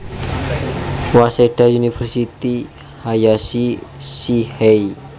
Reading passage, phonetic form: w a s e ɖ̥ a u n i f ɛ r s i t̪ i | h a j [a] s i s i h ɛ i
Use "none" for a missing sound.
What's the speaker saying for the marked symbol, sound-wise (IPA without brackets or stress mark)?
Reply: a